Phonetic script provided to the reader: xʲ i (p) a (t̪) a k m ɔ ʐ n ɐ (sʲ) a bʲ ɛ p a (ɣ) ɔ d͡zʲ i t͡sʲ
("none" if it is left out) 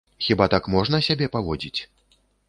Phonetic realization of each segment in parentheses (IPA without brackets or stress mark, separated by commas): b, t̪, sʲ, v